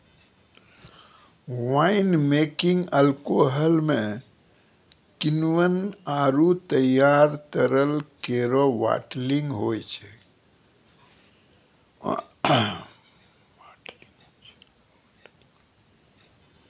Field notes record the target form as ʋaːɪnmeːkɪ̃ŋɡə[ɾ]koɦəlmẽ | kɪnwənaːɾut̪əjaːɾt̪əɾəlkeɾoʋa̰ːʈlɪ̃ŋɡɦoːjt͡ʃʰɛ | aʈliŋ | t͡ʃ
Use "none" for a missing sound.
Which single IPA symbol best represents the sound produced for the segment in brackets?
l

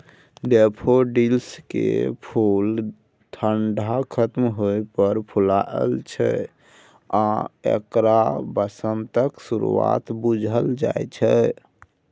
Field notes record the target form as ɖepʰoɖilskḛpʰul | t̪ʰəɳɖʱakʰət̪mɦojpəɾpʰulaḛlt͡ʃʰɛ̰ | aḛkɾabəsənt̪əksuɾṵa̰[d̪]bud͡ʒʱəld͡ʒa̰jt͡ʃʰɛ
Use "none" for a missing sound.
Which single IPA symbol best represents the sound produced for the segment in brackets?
t̪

